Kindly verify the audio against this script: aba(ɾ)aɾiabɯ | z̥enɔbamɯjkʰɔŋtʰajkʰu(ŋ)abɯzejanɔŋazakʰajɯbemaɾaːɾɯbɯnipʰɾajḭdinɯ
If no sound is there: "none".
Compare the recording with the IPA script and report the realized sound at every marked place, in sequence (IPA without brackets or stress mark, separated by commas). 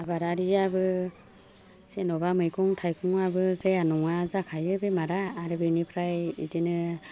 ɾ, ŋ